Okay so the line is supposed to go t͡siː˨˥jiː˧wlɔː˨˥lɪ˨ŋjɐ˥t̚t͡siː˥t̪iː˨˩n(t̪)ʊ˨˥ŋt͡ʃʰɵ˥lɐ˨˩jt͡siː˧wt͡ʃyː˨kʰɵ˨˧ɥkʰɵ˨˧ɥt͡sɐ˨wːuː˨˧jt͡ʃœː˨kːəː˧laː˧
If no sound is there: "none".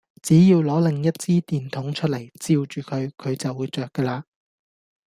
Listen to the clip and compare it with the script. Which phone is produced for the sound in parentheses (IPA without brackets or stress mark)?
t̪ʰ